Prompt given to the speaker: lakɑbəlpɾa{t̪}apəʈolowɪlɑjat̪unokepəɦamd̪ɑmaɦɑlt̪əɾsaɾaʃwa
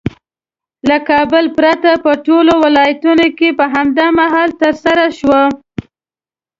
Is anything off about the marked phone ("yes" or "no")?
no